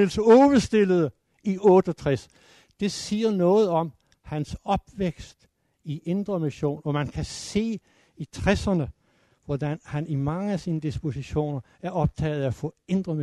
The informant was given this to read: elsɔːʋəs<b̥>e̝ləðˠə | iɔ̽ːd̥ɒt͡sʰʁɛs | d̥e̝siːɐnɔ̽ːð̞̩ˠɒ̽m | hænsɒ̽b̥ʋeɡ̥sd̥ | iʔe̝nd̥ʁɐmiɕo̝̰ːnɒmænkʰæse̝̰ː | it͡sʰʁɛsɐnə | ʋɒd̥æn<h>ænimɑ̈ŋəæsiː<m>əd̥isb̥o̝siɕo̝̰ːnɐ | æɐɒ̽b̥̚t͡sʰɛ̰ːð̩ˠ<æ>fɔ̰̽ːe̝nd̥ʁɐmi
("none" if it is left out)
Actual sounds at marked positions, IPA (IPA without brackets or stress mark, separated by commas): d̥, h, n, æ